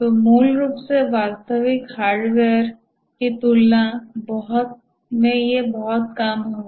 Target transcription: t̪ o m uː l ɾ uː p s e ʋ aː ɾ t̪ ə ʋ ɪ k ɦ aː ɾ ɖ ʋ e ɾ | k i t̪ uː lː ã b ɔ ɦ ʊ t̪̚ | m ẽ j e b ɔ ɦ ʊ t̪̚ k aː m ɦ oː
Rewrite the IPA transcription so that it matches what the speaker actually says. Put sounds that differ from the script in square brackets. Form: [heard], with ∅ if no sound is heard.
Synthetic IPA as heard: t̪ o m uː l ɾ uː p s e ʋ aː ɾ t̪ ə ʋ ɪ k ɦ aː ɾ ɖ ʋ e ɾ | k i t̪ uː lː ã b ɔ ɦ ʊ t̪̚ | m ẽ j e b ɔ ɦ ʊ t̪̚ k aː m ɦ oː